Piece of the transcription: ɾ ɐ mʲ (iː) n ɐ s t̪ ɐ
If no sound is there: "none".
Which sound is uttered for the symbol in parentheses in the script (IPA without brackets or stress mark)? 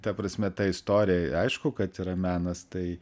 æː